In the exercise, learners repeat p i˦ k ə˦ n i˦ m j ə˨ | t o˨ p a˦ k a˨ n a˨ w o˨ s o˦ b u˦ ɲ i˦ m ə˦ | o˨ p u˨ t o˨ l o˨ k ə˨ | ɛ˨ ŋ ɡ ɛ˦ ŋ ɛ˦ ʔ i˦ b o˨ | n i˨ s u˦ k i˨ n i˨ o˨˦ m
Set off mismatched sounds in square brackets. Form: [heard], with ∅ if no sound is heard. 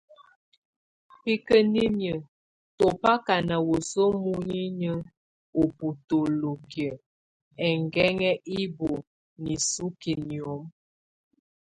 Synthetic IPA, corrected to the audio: p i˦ k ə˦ n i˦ m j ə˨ | t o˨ p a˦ k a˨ n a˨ w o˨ s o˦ [m] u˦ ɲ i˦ [ɲ] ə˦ | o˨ p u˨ t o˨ l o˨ k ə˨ | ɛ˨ ŋ ɡ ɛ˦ ŋ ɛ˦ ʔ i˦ b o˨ | n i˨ s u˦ k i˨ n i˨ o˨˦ m